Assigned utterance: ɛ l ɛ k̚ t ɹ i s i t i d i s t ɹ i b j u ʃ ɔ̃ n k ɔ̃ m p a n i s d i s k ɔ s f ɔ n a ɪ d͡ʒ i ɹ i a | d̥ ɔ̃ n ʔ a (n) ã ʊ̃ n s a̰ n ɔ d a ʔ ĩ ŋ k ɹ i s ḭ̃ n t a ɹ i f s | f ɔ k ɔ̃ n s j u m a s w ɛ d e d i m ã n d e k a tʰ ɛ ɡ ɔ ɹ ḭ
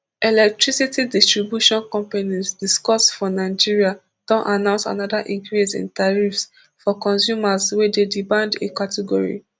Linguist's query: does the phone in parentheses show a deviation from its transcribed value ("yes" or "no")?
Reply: no